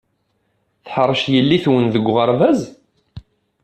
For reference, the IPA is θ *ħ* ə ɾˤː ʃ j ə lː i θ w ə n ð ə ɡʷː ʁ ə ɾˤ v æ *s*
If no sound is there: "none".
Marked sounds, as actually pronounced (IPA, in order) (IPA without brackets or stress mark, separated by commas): ħ, z